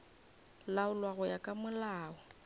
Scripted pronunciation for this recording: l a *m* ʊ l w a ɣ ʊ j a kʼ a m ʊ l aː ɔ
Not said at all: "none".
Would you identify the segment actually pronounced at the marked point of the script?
none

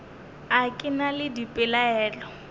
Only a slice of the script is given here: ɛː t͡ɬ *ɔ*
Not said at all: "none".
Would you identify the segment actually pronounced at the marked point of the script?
ɔ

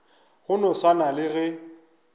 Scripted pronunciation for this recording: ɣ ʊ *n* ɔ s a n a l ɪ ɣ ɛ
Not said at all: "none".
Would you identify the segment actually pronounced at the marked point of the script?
n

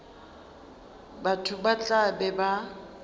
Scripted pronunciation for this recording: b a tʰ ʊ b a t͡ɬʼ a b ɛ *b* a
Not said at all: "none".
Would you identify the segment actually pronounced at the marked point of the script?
b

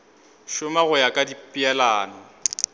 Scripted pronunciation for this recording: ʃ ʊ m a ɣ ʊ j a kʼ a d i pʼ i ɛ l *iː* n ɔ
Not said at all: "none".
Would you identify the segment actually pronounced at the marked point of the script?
aː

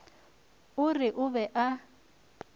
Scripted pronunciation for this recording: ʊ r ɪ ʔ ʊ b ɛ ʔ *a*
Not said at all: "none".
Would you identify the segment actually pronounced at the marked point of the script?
a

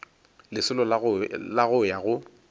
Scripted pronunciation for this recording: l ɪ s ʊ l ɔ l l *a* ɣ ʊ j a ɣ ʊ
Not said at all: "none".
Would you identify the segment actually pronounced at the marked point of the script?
a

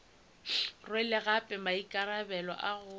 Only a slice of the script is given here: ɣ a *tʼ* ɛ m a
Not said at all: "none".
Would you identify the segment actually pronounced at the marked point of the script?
pʼ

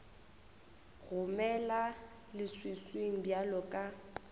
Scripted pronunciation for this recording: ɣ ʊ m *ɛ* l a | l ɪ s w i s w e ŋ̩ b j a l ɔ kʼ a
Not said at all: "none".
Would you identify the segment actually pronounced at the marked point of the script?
ɛ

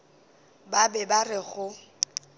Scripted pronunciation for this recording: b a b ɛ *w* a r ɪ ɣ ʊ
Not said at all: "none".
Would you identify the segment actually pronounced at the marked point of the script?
b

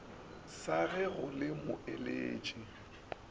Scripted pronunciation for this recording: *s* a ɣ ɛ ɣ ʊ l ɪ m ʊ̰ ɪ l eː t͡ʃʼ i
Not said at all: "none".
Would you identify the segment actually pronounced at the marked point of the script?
s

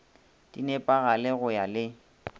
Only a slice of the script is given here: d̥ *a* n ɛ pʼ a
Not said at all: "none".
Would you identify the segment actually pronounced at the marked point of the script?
i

